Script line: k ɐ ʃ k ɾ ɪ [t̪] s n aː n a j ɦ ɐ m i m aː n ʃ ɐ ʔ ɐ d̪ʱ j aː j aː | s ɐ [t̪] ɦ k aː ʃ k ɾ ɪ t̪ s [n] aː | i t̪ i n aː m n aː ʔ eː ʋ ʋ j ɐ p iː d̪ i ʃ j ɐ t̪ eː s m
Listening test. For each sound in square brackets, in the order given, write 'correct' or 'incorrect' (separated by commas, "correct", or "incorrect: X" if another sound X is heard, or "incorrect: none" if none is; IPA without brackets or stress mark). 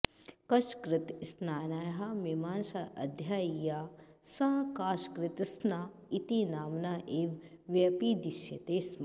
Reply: correct, incorrect: none, correct